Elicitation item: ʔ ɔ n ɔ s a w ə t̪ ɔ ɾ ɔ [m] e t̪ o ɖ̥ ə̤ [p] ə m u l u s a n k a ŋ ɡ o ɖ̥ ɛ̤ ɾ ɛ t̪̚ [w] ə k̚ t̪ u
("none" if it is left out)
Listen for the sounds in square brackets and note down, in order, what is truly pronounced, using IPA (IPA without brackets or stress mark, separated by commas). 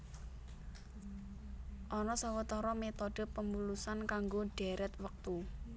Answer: m, p, w